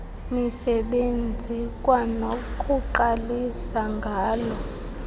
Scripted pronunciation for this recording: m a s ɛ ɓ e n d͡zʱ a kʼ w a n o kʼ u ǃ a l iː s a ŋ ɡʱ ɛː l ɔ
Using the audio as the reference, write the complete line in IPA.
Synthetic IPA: m i s ɛ ɓ e n d͡zʱ i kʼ w a n o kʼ u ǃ a l i s a ŋ ɡʱ aː l ɔ

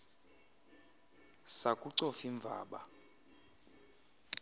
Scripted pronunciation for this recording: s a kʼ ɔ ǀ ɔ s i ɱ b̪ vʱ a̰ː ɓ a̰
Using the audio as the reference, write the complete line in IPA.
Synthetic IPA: s a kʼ u ǀ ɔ f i ɱ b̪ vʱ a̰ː ɓ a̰

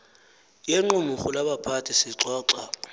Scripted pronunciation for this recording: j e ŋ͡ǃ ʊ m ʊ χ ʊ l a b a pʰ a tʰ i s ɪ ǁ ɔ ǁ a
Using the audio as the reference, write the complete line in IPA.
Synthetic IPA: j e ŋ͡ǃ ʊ m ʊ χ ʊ l a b a pʰ a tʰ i s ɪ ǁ ɔː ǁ a

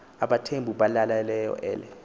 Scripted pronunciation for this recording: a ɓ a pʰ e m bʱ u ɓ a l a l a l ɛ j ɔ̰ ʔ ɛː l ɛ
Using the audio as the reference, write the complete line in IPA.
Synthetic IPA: a ɓ a tʰ e m bʱ u ɓ a l a l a l ɛ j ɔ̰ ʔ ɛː l ɛ

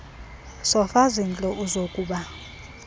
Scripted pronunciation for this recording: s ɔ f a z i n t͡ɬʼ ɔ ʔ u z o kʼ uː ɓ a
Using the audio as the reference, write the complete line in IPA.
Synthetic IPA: s ɔ f a z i n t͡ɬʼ ɔ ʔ u z o kʼ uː ɓ a

